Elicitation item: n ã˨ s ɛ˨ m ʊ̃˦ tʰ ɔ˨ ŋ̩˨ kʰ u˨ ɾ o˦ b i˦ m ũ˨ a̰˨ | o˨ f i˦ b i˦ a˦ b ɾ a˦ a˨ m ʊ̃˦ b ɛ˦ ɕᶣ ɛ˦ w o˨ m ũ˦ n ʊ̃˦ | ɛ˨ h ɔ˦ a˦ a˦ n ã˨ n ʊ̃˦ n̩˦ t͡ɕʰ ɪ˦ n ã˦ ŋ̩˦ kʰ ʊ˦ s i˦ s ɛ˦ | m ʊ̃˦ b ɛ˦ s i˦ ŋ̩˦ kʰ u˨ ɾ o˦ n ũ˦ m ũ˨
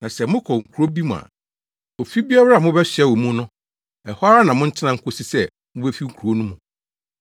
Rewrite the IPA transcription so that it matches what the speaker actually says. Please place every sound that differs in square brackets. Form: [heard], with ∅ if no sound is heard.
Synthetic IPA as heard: n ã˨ s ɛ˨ m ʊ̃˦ [kʰ] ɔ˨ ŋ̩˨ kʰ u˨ ɾ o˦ b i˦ m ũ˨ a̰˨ | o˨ f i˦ b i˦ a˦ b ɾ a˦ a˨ m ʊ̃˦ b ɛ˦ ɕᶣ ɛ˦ w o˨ m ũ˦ n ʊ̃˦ | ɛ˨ h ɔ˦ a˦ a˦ n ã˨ [m] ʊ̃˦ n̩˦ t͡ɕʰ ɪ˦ n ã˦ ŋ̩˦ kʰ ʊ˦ s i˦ s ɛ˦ | m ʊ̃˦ b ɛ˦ [f] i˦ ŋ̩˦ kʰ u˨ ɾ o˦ n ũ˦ m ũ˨